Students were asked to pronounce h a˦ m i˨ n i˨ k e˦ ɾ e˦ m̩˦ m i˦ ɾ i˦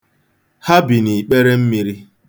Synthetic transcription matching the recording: h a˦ b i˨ n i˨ k͡p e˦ ɾ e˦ m̩˦ m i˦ ɾ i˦